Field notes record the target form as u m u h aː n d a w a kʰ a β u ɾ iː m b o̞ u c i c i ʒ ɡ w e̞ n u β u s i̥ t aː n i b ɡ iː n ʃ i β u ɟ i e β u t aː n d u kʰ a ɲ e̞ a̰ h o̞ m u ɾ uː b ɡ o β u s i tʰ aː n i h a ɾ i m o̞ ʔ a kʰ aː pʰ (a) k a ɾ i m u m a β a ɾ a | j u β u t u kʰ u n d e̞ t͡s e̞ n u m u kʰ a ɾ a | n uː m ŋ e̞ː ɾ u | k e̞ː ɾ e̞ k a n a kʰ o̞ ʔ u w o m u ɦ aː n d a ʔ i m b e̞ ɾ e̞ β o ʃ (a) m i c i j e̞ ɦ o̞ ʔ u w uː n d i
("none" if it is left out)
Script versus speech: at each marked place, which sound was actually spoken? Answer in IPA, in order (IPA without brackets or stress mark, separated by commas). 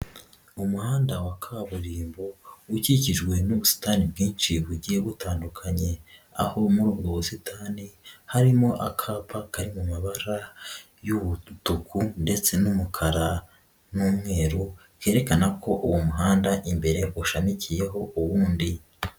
a, a